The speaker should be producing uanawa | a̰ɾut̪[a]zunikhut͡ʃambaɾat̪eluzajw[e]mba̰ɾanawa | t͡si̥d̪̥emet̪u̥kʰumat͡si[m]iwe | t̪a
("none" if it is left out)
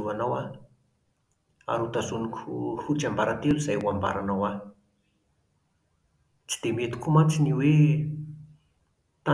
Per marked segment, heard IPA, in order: a, a, n

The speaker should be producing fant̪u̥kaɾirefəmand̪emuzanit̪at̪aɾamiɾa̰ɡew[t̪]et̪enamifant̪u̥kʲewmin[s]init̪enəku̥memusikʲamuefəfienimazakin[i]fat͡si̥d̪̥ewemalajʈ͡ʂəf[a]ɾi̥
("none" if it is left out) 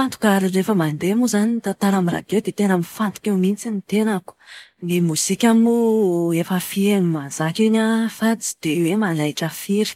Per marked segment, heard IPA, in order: d̪, t͡s, a, i

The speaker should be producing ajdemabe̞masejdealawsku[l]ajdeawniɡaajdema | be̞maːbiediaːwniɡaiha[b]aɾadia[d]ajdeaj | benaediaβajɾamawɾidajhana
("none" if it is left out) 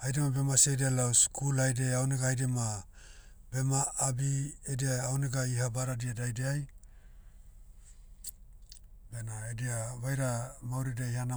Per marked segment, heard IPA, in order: l, b, d

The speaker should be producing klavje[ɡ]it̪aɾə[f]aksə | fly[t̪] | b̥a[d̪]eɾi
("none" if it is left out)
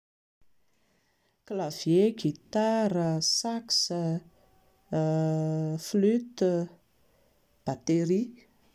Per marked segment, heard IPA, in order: ɡ, s, t̪, t̪

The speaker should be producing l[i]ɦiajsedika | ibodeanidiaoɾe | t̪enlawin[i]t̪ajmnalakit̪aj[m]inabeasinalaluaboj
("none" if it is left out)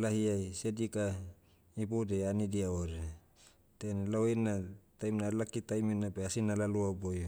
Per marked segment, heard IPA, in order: a, a, m

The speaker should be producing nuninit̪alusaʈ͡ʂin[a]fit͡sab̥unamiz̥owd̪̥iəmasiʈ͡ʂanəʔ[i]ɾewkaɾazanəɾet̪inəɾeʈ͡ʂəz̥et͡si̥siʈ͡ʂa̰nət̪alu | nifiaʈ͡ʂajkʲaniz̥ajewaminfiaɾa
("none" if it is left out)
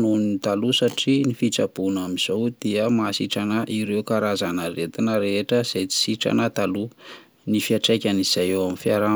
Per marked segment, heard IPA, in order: i, i

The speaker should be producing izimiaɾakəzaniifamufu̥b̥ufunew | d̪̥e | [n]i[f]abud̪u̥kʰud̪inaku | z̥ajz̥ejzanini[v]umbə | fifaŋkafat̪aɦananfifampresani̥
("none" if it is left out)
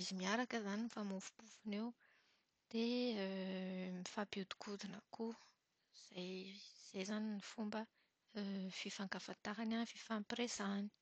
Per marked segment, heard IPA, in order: m, f, f

